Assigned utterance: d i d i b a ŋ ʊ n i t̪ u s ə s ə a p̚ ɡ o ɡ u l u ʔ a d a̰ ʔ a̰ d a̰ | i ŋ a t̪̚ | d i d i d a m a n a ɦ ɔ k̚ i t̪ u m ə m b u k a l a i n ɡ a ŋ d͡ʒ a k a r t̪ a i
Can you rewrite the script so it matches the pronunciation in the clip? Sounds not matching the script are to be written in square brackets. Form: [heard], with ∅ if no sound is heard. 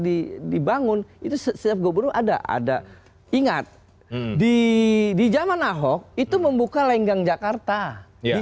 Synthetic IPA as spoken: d i d i b a ŋ ʊ n i t̪ u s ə s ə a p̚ ɡ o [b] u [ɾ] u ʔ a d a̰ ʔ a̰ d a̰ | i ŋ a t̪̚ | d i d i [d͡ʒ] a m a n a ɦ ɔ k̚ i t̪ u m ə m b u k a l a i [ŋ] ɡ a ŋ d͡ʒ a k a r t̪ a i